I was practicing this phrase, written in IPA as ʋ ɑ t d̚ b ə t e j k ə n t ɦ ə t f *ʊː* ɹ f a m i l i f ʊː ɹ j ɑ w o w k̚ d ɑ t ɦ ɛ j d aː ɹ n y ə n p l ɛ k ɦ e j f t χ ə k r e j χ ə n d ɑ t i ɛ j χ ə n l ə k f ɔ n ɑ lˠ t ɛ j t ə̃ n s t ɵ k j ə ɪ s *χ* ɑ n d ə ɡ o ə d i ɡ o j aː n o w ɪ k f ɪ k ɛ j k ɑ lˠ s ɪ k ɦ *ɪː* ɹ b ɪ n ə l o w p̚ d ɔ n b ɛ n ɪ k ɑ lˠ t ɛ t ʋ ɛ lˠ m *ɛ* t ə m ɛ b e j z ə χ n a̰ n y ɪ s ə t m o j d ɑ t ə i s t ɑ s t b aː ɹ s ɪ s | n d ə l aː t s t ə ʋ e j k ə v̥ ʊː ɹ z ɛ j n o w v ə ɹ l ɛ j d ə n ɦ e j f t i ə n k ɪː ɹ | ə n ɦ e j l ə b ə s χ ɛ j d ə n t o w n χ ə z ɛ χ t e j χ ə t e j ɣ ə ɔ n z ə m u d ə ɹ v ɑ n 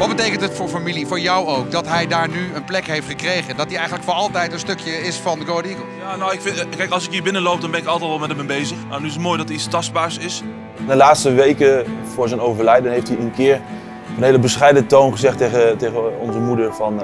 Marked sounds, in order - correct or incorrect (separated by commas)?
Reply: correct, incorrect, incorrect, correct